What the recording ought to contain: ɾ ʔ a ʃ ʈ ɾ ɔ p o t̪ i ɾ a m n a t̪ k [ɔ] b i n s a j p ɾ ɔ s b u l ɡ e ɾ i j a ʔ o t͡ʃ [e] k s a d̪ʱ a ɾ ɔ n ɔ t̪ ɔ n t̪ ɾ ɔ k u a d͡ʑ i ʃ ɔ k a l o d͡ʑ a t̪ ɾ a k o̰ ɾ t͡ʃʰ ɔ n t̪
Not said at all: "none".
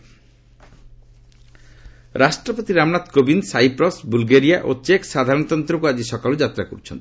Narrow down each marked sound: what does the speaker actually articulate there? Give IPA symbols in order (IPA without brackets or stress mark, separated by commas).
o, e